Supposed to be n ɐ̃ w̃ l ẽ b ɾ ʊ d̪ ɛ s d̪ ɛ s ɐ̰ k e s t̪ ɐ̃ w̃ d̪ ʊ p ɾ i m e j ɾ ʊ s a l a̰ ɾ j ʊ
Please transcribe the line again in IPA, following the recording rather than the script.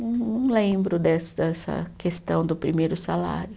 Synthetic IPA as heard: n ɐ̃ w̃ l ẽ b ɾ ʊ d̪ ɛ s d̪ ɛ s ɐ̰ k e s t̪ ɐ̃ w̃ d̪ ʊ p ɾ i m e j ɾ ʊ s a l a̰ ɾ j ʊ